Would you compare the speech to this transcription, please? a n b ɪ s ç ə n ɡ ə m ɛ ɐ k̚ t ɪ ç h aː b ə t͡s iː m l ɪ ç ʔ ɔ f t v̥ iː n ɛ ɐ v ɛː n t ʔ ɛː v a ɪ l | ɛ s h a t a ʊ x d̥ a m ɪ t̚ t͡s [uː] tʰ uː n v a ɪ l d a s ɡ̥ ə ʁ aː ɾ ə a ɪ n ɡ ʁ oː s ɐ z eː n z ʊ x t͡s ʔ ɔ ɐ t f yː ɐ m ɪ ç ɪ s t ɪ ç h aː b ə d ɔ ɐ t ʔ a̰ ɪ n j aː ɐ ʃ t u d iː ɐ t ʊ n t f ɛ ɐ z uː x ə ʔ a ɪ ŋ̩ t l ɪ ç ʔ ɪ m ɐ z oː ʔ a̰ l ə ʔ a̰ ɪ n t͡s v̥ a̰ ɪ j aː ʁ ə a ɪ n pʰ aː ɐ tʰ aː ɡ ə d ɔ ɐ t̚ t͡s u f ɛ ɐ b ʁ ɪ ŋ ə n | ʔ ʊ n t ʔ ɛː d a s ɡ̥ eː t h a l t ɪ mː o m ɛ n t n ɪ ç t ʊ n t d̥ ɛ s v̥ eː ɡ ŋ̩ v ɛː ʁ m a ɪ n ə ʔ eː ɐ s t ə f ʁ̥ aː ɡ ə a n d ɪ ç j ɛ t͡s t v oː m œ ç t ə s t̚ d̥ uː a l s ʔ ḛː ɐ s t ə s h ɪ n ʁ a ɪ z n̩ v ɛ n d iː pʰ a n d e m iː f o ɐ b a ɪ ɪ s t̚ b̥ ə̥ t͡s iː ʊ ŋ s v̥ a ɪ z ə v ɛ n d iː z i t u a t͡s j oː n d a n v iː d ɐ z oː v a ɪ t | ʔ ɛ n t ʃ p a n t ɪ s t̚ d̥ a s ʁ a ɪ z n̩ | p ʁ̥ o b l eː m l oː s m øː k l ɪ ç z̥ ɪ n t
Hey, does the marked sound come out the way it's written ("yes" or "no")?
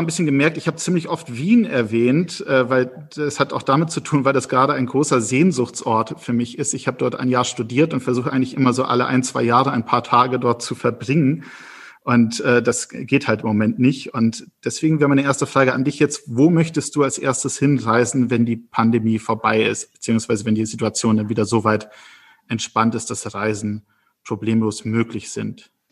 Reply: no